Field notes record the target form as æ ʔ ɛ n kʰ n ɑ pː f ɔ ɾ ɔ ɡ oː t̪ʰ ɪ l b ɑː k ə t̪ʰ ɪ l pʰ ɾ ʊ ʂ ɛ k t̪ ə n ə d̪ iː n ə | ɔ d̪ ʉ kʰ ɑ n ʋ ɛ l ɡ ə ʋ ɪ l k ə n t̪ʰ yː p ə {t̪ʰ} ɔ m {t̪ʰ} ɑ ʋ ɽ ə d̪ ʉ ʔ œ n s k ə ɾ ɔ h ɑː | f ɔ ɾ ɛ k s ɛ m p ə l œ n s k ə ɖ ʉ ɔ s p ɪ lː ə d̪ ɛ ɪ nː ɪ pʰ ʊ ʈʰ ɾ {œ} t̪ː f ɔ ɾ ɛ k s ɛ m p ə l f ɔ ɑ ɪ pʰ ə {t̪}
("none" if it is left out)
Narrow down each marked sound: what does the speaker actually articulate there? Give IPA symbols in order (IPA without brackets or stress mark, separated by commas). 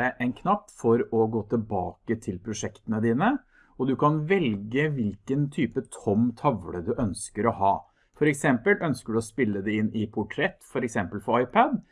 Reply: t̪ʰ, t̪ʰ, ɛ, d̪